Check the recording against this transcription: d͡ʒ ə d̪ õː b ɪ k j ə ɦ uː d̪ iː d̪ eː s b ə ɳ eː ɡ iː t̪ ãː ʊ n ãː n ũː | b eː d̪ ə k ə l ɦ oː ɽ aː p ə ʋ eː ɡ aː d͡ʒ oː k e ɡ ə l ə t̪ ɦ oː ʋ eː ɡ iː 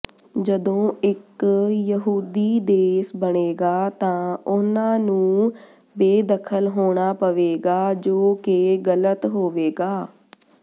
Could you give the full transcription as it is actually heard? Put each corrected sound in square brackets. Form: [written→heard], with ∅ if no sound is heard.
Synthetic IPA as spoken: d͡ʒ ə d̪ õː [b→∅] ɪ k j ə ɦ uː d̪ iː d̪ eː s b ə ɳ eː ɡ [iː→aː] t̪ ãː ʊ n ãː n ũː | b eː d̪ ə [k→kʰ] ə l ɦ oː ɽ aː p ə ʋ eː ɡ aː d͡ʒ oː k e ɡ ə l ə t̪ ɦ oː ʋ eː ɡ [iː→aː]